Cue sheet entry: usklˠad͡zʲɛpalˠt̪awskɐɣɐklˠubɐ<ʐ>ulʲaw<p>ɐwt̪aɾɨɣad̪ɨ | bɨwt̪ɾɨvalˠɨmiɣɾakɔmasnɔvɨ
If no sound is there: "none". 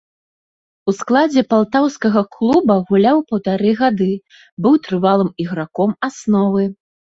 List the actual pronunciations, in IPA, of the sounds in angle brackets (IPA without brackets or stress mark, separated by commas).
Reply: ɣ, p